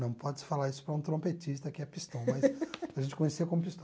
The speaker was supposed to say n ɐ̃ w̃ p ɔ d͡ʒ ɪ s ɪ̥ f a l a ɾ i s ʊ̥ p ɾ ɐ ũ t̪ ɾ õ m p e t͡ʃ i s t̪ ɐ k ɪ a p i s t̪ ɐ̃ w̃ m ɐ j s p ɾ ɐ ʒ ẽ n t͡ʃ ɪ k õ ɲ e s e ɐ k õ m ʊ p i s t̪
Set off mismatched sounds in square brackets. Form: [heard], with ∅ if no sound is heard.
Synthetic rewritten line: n ɐ̃ w̃ p ɔ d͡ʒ ɪ s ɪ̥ f a l a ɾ i s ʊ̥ p ɾ ɐ ũ t̪ ɾ õ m p e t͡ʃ i s t̪ ɐ k ɪ [ɛ] p i s t̪ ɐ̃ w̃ m ɐ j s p ɾ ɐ ʒ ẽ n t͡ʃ ɪ k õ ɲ e s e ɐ k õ m ʊ p i s t̪